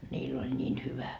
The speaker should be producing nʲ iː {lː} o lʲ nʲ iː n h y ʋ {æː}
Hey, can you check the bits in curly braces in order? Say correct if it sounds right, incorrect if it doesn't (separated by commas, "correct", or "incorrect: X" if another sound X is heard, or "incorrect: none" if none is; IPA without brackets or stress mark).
correct, incorrect: æ